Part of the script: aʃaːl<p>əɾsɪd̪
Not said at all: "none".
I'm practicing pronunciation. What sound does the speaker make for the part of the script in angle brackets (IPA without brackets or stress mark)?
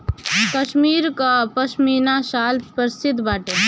p